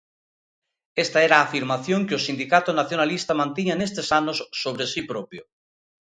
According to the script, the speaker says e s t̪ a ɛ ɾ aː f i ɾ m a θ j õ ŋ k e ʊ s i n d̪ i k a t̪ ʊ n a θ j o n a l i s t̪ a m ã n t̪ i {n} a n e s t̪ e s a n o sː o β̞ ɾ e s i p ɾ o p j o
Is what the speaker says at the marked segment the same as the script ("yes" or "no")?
no